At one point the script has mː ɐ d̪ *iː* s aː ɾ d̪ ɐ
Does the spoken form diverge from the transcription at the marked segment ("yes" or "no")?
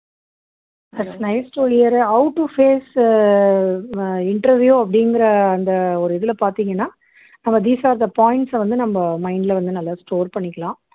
no